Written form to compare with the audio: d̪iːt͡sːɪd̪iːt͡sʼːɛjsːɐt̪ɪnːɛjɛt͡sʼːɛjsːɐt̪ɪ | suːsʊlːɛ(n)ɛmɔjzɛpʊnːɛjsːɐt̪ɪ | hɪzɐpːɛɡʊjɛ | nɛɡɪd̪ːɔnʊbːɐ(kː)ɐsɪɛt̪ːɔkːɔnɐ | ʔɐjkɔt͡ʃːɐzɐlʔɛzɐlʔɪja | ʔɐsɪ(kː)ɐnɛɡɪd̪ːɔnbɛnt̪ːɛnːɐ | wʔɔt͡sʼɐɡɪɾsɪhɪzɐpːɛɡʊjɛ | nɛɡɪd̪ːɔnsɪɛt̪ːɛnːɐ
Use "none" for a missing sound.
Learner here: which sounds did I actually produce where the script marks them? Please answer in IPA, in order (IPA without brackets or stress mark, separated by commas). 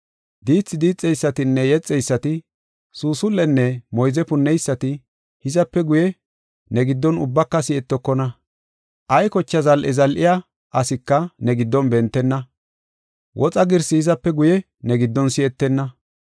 nː, kː, kː